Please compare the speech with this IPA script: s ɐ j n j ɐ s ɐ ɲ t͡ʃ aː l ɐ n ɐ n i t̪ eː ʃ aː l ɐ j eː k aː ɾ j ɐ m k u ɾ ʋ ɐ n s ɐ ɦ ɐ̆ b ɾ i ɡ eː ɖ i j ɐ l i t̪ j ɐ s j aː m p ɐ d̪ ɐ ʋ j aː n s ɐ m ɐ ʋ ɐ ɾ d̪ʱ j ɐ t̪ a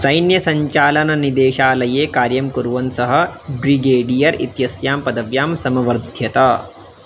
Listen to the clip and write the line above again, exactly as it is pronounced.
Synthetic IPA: s ɐ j n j ɐ s ɐ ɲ t͡ʃ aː l ɐ n ɐ n i d̪ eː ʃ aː l ɐ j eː k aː ɾ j ɐ m k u ɾ ʋ ɐ n s ɐ ɦ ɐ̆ b ɾ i ɡ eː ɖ i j ɐ ɾ i t̪ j ɐ s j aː m p ɐ d̪ ɐ ʋ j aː m s ɐ m ɐ ʋ ɐ ɾ d̪ʱ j ɐ t̪ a

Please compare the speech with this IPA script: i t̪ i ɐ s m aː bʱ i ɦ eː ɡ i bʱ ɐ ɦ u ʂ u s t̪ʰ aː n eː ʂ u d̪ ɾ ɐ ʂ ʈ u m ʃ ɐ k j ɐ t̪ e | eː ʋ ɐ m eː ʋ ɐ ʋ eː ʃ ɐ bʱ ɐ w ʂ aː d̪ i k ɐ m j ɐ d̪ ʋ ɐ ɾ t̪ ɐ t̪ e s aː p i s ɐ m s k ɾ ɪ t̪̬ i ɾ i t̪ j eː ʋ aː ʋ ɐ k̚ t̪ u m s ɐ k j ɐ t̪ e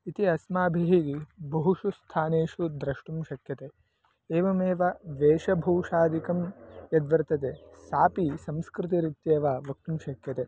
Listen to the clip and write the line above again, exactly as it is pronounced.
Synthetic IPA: i t̪ i ɐ s m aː bʱ i ɦ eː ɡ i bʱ ɐ ɦ u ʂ u s t̪ʰ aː n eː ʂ u d̪ ɾ ɐ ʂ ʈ u m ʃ ɐ k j ɐ t̪ e | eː ʋ ɐ m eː ʋ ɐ ʋ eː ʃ ɐ bʱ ɐ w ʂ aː d̪ i k ɐ m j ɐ d̪ ʋ ɐ ɾ t̪ ɐ t̪ e s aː p i s ɐ m s k ɾ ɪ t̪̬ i ɾ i t̪ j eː ʋ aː ʋ ɐ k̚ t̪ u m ʃ ɐ k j ɐ t̪ e

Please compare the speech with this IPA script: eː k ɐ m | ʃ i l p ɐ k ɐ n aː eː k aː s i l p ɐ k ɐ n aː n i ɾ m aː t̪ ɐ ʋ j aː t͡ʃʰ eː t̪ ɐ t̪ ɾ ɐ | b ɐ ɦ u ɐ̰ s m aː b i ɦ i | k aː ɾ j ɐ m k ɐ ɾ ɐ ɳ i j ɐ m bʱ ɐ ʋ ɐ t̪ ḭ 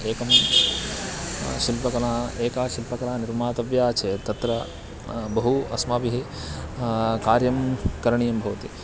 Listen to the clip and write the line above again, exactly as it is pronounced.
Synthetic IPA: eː k ɐ m | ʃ i l p ɐ k ɐ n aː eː k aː ʃ i l p ɐ k ɐ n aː n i ɾ m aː t̪ ɐ ʋ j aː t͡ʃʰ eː t̪ ɐ t̪ ɾ ɐ | b ɐ ɦ u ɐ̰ s m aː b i ɦ i | k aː ɾ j ɐ m k ɐ ɾ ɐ ɳ i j ɐ m bʱ ɐ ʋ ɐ t̪ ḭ

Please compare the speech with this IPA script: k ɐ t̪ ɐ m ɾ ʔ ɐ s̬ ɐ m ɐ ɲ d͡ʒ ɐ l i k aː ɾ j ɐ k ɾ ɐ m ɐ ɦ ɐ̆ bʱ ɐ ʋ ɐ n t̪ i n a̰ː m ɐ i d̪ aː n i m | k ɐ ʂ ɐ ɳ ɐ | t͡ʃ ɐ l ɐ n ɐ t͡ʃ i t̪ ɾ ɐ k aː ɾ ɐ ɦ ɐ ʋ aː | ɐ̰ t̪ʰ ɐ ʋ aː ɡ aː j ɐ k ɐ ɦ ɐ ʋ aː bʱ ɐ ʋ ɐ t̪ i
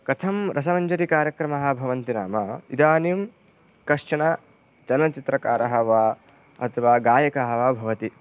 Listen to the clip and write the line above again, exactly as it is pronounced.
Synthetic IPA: k ɐ t̪ʰ ɐ m ɾ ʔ ɐ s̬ ɐ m ɐ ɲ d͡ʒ ɐ ɾ i k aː ɾ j ɐ k ɾ ɐ m ɐ ɦ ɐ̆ bʱ ɐ ʋ ɐ n t̪ i n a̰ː m ɐ i d̪ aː n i m | k ɐ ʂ ɐ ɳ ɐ | t͡ʃ ɐ l ɐ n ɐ t͡ʃ i t̪ ɾ ɐ k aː ɾ ɐ ɦ ɐ ʋ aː | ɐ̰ t̪ʰ ɐ ʋ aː ɡ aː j ɐ k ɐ ɦ ɐ ʋ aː bʱ ɐ ʋ ɐ t̪ i

